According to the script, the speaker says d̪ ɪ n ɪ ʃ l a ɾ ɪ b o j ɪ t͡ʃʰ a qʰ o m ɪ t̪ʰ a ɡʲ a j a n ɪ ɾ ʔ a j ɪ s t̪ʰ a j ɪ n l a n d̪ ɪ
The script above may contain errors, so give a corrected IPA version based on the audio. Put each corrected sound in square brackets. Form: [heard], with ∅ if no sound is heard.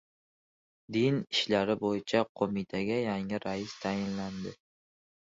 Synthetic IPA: d̪ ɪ n ɪ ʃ l a ɾ ɪ b o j ɪ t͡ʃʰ a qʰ o m ɪ t̪ʰ a ɡʲ a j a [ŋ] ɪ ɾ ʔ a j ɪ s t̪ʰ a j ɪ n l a n d̪ ɪ